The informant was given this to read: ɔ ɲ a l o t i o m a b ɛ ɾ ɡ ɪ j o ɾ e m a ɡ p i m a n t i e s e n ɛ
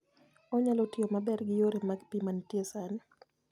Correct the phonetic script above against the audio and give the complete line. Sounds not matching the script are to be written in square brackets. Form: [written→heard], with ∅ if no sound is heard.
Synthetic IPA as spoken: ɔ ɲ a l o t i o m a b ɛ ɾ ɡ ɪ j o ɾ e m a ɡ p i m a n t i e s [e→a] n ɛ